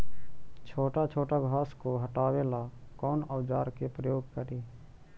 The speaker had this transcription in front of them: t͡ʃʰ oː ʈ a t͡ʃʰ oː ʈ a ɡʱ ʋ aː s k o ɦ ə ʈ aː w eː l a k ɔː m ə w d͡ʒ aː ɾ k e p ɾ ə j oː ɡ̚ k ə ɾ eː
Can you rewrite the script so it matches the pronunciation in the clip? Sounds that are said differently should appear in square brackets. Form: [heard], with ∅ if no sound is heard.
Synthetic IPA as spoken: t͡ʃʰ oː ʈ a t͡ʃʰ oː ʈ a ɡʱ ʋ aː s k o ɦ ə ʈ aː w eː l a k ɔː [n] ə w d͡ʒ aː ɾ k e p ɾ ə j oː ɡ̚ k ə ɾ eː